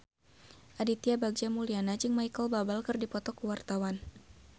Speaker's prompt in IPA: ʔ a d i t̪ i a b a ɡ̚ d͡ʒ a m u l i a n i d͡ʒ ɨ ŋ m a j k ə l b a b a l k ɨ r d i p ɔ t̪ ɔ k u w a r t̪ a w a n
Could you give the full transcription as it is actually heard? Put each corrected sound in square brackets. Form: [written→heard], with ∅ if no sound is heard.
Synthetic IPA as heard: ʔ a d i t̪ i a b a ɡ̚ d͡ʒ a m u l i a n [i→a] d͡ʒ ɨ ŋ m a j k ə l b a b a l k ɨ r d i p ɔ t̪ ɔ k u w a r t̪ a w a n